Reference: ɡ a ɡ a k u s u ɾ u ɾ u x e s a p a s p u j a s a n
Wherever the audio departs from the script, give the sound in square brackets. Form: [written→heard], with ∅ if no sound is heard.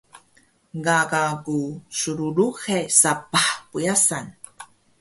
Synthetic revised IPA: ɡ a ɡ a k u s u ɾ u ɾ u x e s a p a [s→ħ] p u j a s a n